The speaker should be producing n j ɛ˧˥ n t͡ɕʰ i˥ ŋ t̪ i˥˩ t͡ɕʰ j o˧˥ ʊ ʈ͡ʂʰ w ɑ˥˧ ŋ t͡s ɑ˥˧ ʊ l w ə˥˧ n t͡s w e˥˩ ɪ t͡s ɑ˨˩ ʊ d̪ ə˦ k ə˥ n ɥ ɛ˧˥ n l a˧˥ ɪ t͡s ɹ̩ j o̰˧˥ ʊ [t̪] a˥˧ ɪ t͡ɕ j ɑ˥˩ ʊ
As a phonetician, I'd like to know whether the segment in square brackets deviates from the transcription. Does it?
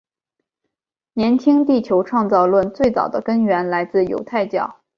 yes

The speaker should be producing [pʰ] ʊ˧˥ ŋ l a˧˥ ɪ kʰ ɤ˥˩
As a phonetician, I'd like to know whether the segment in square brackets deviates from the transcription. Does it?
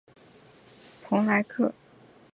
no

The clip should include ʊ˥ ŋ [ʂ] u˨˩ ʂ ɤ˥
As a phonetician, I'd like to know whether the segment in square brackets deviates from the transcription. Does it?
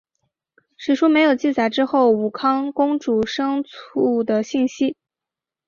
yes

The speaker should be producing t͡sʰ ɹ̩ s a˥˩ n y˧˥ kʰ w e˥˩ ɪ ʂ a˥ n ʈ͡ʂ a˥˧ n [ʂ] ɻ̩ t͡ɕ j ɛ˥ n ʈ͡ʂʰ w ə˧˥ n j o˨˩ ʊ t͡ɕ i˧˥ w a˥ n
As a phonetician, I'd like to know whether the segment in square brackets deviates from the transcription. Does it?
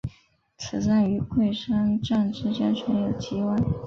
yes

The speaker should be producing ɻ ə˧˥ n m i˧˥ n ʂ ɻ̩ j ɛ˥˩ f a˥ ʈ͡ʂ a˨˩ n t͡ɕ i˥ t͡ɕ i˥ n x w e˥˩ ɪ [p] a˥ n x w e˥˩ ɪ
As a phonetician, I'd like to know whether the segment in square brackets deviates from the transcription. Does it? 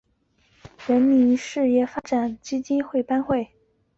no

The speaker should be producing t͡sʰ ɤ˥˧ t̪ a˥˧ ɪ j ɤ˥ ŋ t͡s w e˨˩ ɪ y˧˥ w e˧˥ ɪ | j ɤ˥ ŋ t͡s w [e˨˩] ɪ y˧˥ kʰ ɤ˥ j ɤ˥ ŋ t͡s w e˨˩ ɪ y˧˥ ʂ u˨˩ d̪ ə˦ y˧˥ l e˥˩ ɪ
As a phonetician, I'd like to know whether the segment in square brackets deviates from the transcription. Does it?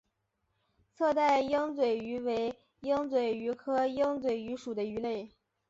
no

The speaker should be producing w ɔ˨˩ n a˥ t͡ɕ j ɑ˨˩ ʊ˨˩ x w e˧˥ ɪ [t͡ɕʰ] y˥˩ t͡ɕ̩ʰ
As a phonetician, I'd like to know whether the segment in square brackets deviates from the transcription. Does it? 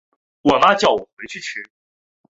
no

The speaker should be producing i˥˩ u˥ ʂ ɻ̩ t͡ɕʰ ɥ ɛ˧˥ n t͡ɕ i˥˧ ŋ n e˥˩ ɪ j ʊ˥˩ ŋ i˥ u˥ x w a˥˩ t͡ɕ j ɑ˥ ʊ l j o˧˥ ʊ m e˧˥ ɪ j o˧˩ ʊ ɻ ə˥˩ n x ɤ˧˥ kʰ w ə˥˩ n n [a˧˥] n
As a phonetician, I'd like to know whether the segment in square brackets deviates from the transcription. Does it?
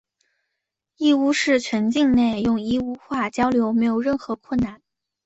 yes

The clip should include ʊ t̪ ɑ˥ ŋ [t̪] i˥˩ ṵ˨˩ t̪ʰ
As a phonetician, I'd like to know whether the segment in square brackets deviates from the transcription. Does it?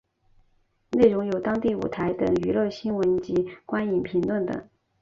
no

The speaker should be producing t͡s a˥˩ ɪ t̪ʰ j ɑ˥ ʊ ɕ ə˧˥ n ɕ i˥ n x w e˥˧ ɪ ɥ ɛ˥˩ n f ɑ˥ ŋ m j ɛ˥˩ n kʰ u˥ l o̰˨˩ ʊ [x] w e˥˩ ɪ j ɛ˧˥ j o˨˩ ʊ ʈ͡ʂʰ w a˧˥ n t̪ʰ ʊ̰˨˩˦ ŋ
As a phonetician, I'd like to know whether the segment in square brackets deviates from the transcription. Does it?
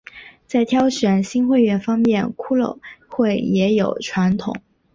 no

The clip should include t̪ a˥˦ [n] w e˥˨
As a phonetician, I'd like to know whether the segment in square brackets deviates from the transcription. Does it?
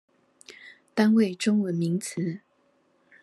no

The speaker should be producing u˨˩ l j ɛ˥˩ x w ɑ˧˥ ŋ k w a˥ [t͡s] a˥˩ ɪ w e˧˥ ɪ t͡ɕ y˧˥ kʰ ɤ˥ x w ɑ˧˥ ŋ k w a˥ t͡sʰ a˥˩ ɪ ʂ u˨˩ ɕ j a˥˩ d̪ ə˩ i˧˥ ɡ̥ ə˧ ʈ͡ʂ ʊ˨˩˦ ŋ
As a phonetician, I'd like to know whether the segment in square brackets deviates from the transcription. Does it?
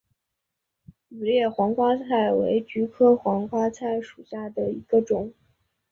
yes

